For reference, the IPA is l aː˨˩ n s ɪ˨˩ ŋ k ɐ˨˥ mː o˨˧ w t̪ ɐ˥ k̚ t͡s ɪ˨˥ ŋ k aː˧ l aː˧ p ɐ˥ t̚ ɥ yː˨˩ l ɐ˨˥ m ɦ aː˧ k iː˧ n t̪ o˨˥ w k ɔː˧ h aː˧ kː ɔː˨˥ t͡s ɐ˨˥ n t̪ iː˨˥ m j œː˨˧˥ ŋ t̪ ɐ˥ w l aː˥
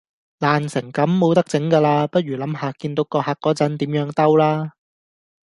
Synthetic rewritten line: l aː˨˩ n s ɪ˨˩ ŋ k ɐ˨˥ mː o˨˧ w t̪ ɐ˥ k̚ t͡s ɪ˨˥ ŋ k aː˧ l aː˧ p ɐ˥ t̚ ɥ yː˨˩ l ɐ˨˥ m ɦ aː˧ k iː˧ n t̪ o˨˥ w k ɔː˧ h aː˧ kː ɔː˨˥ t͡s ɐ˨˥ n t̪ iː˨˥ m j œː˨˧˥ ŋ t̪ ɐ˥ w l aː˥